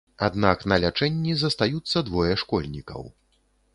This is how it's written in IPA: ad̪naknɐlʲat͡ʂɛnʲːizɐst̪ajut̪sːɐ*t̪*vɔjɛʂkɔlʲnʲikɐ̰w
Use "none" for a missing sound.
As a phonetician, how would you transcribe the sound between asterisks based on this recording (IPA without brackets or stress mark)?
d̪